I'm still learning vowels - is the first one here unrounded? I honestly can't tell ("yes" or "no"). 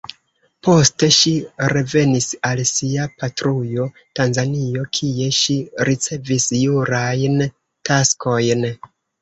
no